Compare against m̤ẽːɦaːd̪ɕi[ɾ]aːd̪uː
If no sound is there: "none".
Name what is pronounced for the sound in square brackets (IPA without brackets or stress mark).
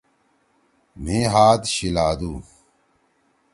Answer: l